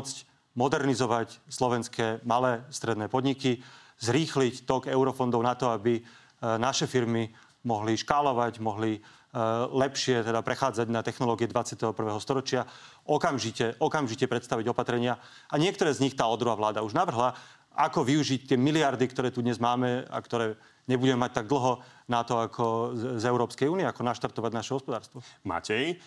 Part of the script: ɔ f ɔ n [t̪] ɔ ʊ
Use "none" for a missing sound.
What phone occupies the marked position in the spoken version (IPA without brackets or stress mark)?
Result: d̪